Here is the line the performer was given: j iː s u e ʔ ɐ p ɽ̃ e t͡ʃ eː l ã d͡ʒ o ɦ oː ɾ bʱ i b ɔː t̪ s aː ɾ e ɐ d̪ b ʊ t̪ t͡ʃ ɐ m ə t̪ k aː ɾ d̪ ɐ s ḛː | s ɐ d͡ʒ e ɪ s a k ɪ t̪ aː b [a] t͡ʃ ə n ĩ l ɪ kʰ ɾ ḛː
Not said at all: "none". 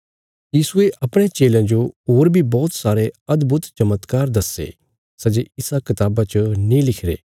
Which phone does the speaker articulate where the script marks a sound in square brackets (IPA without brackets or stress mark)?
a